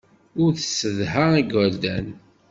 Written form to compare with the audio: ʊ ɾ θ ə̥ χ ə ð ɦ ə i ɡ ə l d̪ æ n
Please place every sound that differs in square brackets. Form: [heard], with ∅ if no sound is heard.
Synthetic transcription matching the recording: ʊ ɾ θ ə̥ [s] ə ð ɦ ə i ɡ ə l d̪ æ n